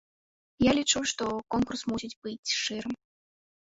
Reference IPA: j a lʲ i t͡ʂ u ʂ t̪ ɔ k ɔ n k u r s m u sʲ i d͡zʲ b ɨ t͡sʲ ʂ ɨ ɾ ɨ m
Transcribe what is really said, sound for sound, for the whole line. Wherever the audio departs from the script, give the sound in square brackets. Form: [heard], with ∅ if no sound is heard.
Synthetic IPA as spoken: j a lʲ i t͡ʂ u ʂ t̪ ɔ k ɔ n k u r s m u sʲ i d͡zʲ b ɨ t͡sʲ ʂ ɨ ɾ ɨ m